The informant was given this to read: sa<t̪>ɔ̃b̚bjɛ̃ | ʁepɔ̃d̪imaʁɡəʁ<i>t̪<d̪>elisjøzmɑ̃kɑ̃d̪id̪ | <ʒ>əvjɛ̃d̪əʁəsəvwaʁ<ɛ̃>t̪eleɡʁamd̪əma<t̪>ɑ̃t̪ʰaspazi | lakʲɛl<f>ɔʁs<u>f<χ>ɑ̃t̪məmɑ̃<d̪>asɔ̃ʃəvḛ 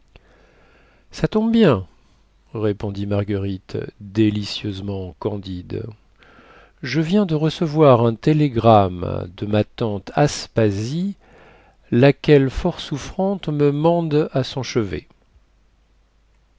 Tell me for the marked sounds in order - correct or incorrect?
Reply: correct, correct, correct, correct, correct, correct, correct, correct, correct, correct

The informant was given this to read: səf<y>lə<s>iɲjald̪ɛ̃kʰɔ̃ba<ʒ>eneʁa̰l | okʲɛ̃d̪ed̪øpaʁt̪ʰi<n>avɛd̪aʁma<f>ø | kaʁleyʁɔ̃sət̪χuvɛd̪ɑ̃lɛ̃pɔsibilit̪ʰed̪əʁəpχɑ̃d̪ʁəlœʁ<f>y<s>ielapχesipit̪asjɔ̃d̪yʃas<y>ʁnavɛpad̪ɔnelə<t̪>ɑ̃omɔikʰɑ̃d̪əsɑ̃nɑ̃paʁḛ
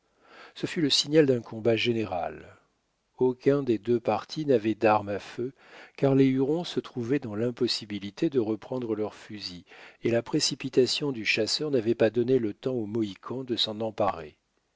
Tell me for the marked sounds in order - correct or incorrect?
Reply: correct, correct, correct, correct, correct, correct, incorrect, incorrect, correct

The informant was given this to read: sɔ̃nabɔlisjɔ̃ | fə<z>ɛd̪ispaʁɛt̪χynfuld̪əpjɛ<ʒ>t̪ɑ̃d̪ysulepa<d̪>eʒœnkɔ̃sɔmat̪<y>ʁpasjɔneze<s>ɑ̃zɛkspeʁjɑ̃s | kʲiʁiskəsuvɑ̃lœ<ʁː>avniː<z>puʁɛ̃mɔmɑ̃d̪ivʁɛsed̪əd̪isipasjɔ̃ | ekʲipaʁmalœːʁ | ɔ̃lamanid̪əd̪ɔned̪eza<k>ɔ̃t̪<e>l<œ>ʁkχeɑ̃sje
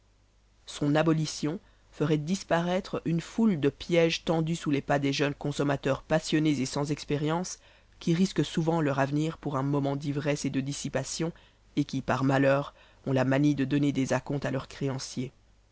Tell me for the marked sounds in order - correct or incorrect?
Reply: incorrect, correct, correct, incorrect, correct, incorrect, incorrect, correct, incorrect, correct

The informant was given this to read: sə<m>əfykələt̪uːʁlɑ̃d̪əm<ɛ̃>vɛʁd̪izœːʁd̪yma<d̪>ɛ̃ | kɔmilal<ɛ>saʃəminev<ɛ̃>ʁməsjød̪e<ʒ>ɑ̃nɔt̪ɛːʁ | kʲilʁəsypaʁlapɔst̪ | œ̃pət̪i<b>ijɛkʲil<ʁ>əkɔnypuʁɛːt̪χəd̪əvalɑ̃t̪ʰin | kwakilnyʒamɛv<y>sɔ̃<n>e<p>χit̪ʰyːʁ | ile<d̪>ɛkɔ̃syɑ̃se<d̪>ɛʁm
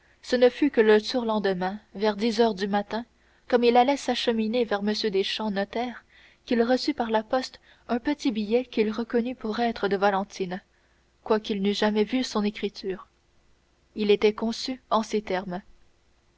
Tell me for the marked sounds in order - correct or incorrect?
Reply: incorrect, correct, incorrect, correct, incorrect, incorrect, correct, correct, correct, correct, incorrect, incorrect, incorrect

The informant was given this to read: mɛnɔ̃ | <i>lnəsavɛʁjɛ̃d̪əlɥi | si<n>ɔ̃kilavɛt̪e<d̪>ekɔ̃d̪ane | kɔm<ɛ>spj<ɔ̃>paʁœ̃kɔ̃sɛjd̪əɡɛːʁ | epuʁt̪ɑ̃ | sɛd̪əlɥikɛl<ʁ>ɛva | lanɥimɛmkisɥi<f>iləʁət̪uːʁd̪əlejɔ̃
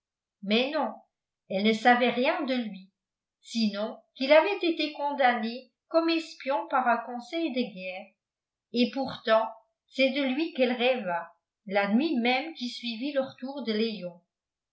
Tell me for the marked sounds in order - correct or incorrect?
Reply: incorrect, correct, incorrect, correct, correct, correct, incorrect

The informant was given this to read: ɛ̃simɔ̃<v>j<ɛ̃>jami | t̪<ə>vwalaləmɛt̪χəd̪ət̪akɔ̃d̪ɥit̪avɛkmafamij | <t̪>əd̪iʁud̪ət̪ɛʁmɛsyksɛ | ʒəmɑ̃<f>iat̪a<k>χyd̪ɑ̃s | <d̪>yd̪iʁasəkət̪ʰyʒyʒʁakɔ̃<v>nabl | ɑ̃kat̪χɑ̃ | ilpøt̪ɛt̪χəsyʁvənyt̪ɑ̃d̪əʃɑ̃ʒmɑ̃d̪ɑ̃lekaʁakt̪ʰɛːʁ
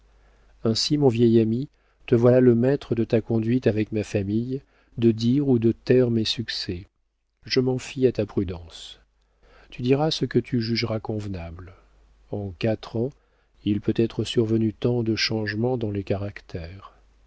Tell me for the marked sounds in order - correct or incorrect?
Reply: correct, incorrect, correct, incorrect, correct, incorrect, incorrect, correct

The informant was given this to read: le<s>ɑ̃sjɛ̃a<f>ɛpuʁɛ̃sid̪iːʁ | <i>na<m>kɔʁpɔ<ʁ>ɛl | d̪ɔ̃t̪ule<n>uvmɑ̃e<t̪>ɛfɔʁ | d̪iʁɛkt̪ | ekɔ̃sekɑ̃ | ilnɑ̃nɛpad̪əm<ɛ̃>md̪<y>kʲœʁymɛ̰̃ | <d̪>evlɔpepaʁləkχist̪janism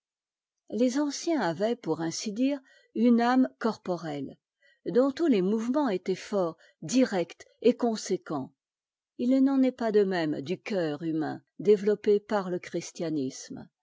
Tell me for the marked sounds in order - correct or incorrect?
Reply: incorrect, incorrect, incorrect, correct, correct, incorrect, correct, incorrect, correct, correct

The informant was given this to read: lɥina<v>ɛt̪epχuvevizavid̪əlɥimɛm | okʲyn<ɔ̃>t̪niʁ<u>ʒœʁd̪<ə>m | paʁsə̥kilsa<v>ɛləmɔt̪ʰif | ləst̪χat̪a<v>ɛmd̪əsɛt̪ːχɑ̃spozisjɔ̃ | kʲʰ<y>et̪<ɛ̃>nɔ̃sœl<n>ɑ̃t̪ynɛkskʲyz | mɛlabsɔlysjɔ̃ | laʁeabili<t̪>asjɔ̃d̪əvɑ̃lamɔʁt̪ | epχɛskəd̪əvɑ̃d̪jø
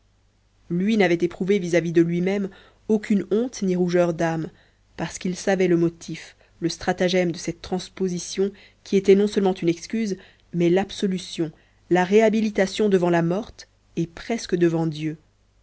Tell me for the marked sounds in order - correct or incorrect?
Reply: correct, correct, correct, incorrect, correct, incorrect, incorrect, incorrect, incorrect, correct

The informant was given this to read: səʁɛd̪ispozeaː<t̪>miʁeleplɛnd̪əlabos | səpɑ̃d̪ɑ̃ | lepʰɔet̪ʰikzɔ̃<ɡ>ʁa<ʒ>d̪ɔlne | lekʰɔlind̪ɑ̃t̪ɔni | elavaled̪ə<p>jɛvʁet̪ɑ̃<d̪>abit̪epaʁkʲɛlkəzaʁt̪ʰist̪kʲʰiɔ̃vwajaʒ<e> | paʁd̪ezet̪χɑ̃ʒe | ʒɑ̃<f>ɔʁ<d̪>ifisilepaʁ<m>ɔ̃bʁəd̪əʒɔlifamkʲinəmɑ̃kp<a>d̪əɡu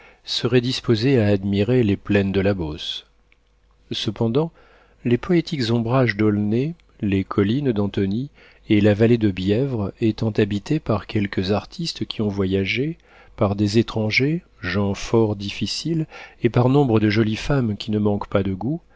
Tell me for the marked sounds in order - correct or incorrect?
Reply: incorrect, incorrect, correct, incorrect, incorrect, correct, correct, correct, incorrect, correct

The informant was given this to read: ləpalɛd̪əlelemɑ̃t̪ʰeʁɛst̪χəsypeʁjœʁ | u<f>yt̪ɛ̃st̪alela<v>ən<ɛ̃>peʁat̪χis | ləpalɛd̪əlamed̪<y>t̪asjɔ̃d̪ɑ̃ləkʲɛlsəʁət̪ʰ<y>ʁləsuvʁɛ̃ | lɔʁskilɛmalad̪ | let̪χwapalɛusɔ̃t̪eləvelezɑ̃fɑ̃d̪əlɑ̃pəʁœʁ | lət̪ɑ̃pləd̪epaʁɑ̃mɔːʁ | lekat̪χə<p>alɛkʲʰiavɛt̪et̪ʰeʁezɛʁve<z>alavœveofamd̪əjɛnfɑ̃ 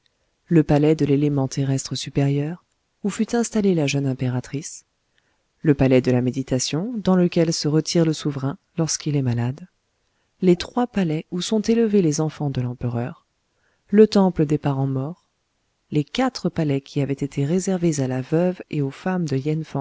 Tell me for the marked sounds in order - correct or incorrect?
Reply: correct, incorrect, correct, incorrect, incorrect, correct, correct

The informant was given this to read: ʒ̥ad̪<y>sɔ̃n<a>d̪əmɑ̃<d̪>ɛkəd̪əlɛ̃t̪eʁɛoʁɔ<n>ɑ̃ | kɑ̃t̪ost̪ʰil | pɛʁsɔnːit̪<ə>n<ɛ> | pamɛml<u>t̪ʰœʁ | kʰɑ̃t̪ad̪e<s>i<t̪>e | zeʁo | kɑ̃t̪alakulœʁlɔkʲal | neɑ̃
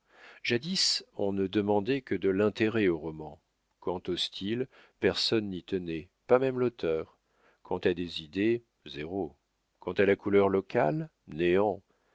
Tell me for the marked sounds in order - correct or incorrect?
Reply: incorrect, incorrect, correct, incorrect, correct, correct, incorrect, incorrect, incorrect

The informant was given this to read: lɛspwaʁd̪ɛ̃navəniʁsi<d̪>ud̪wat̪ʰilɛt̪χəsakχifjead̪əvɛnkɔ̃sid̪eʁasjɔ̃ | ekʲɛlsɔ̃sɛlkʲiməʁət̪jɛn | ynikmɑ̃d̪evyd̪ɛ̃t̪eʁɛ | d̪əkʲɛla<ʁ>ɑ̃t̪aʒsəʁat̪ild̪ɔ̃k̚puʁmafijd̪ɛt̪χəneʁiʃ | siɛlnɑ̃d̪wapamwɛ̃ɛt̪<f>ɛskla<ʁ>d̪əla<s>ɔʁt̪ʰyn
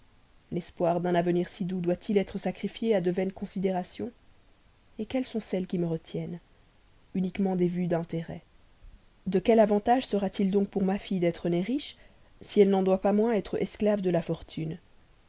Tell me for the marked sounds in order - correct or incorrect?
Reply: correct, incorrect, incorrect, incorrect, incorrect

